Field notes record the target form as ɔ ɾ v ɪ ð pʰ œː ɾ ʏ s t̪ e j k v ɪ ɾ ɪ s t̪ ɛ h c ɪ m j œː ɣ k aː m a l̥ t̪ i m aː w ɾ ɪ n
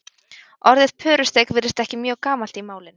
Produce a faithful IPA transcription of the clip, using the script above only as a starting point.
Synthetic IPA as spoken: ɔ ɾ ð ɪ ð pʰ œː ɾ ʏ s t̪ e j k v ɪ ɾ ɪ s t̪ ɛ h c ɪ m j œː ɣ k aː m a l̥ t̪ i m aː w l ɪ n